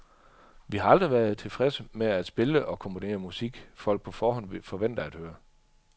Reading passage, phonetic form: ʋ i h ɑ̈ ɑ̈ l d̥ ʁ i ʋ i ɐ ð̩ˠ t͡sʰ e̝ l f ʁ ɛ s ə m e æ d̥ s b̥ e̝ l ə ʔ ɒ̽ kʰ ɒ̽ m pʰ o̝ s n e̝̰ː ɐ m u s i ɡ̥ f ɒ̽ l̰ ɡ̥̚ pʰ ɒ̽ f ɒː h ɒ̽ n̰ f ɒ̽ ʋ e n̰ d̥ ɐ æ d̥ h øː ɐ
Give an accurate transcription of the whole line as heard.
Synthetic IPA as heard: ʋ i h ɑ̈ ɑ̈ l d̥ ʁ i ʋ æ ɐ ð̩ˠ t͡sʰ e̝ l f ʁ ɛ s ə m e æ d̥ s b̥ e̝ l ə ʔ ɒ̽ kʰ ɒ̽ m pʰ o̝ n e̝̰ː ɐ m u s i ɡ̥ f ɒ̽ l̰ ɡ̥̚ pʰ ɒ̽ f ɒː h ɒ̽ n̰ f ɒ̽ ʋ e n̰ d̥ ɐ æ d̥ h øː ɐ